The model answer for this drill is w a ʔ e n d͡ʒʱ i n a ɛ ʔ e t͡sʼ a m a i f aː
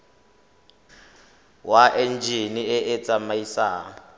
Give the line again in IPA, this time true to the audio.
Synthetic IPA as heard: w a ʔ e n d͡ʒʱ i n i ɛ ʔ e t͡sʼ a m a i s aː